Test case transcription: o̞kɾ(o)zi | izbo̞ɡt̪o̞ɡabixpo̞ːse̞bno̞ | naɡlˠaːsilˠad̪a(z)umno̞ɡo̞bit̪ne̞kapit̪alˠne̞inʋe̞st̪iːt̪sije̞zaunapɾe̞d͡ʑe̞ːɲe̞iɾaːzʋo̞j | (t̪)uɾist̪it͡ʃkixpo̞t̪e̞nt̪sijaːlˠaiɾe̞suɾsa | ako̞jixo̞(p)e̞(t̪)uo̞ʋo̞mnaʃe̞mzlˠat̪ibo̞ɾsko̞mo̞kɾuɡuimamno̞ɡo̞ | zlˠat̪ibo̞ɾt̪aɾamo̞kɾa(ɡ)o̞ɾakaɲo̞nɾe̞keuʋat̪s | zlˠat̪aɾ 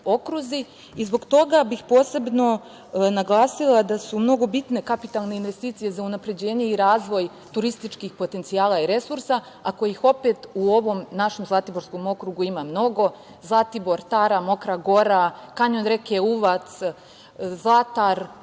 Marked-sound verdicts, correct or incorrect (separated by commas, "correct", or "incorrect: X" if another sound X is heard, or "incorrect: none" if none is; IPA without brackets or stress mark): incorrect: u, incorrect: s, correct, correct, correct, correct